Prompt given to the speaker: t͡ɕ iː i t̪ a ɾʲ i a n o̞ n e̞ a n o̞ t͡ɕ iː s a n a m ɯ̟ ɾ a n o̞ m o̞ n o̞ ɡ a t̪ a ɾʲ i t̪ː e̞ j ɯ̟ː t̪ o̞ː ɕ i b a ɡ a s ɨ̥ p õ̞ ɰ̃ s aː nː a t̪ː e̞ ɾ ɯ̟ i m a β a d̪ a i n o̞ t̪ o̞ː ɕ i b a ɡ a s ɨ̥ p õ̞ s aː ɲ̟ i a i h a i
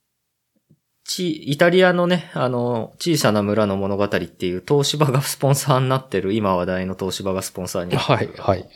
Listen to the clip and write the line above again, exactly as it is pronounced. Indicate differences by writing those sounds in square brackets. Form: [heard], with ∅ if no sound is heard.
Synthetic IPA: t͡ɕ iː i t̪ a ɾʲ i a n o̞ n e̞ a n o̞ t͡ɕ iː s a n a m ɯ̟ ɾ a n o̞ m o̞ n o̞ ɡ a t̪ a ɾʲ i t̪ː e̞ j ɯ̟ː t̪ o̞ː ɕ i b a ɡ a s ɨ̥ p õ̞ ɰ̃ s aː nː a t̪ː e̞ ɾ ɯ̟ i m a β a d̪ a i n o̞ t̪ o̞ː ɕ i b a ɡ a s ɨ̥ p õ̞ s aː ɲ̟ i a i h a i